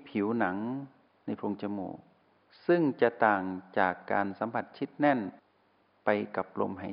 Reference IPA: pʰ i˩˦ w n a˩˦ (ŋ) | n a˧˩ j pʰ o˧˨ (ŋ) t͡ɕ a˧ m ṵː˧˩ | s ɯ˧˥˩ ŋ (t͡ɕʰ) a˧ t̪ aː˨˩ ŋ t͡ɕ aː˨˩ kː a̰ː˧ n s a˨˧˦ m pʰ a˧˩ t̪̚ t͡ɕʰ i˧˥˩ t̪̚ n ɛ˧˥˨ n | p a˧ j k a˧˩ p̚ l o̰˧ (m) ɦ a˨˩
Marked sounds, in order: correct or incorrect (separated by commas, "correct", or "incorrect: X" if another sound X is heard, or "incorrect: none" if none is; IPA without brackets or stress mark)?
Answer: correct, correct, incorrect: t͡ɕ, correct